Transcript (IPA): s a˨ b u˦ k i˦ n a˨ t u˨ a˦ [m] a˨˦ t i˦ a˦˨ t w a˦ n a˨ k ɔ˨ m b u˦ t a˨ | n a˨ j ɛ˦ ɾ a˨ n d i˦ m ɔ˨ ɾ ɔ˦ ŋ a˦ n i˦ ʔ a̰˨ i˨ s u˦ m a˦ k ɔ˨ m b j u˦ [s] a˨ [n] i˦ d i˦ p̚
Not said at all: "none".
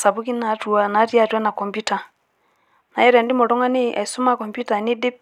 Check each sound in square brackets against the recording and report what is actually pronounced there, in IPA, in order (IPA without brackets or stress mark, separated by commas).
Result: n, t, n